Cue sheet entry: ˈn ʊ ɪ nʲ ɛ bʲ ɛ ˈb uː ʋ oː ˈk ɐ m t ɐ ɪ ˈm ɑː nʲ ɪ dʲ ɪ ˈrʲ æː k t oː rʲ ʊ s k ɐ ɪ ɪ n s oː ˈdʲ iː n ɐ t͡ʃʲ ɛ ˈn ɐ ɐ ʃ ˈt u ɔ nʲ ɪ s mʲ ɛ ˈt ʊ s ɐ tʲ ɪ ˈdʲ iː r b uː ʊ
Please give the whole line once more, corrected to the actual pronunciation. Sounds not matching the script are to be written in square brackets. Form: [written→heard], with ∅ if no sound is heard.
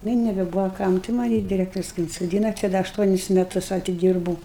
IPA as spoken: ˈn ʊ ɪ nʲ ɛ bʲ ɛ ˈb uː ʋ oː ˈk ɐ m t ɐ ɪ ˈm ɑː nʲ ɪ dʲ ɪ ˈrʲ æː k t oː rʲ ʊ s k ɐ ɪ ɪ n s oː ˈdʲ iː n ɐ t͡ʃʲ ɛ [ˈn→ˈd] ɐ ɐ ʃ ˈt u ɔ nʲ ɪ s mʲ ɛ ˈt ʊ s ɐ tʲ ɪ ˈdʲ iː r b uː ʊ

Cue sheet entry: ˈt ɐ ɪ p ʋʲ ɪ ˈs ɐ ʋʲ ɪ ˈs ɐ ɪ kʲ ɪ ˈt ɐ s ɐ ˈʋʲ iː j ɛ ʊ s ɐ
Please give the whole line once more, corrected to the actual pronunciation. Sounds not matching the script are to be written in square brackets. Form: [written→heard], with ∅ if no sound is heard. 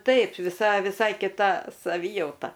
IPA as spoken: ˈt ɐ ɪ p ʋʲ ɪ ˈs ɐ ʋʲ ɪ ˈs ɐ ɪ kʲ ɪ ˈt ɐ s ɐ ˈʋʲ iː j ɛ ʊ [s→t] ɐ

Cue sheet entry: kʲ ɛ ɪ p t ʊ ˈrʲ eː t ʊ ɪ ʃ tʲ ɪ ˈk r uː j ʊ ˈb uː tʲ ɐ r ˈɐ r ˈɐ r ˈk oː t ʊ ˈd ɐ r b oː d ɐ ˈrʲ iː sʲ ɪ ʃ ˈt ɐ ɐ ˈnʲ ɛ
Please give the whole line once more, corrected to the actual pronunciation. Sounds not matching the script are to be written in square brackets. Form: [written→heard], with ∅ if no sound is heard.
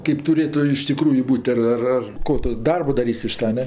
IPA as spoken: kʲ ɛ ɪ p t ʊ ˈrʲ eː t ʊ ɪ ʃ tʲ ɪ ˈk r uː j ʊ ˈb uː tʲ ɐ r ˈɐ r ˈɐ r ˈk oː t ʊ ˈd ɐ r b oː d ɐ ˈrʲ iː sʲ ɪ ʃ ˈt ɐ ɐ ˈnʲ ɛ

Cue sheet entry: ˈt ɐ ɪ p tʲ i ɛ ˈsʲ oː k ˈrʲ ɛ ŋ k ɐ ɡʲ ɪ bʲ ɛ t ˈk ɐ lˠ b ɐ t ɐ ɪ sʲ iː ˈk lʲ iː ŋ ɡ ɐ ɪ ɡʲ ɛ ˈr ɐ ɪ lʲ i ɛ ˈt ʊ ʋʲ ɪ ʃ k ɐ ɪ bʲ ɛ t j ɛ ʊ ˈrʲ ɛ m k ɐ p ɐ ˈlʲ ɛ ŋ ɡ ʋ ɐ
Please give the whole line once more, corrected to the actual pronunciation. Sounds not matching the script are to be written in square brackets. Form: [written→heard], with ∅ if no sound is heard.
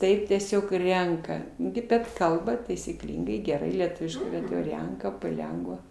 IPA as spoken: ˈt ɐ ɪ p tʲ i ɛ ˈsʲ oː k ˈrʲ ɛ ŋ k ɐ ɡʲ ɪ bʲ ɛ t ˈk ɐ lˠ b ɐ t ɐ ɪ sʲ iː ˈk lʲ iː ŋ ɡ ɐ ɪ ɡʲ ɛ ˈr ɐ ɪ lʲ i ɛ ˈt ʊ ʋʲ ɪ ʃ k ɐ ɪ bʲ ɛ t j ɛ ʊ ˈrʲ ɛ [m→ŋ] k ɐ p ɐ ˈlʲ ɛ ŋ ɡ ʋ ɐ

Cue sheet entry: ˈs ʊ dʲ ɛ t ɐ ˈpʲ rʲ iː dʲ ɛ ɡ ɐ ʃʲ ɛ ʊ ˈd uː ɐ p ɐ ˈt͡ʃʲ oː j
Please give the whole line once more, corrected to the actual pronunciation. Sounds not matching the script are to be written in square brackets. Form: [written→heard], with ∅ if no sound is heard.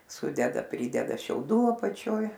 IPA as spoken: ˈs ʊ dʲ ɛ [t→d] ɐ ˈpʲ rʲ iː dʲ ɛ [ɡ→d] ɐ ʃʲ ɛ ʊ ˈd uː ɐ p ɐ ˈt͡ʃʲ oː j

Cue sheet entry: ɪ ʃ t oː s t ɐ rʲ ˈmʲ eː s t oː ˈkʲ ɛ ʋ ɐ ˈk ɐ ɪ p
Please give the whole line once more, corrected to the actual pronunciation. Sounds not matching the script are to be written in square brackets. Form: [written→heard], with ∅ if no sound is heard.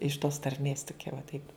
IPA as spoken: ɪ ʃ t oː s t ɐ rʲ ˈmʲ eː s t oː ˈkʲ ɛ ʋ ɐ [ˈk→ˈt] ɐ ɪ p

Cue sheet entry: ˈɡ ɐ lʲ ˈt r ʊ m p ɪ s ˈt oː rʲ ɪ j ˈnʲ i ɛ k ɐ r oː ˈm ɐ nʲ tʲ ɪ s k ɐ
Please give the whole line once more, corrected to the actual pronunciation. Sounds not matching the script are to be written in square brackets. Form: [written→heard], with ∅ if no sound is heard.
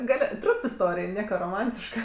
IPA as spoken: ˈɡ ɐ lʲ ˈt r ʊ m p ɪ s ˈt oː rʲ ɪ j ˈnʲ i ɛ k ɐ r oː ˈm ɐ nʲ tʲ ɪ [s→ʃ] k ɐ

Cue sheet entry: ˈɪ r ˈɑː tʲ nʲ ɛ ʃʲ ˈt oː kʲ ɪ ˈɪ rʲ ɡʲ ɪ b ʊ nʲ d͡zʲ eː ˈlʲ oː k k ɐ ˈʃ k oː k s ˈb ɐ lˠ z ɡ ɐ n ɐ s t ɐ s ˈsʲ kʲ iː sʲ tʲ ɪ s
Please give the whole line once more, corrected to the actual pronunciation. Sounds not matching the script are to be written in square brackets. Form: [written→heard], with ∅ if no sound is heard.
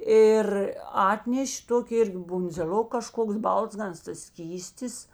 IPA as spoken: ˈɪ r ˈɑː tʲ nʲ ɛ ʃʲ ˈt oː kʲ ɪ ˈɪ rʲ ɡʲ ɪ b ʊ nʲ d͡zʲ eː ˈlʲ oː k k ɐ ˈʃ k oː k s ˈb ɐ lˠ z ɡ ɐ n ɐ s t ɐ s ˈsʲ kʲ iː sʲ tʲ ɪ s

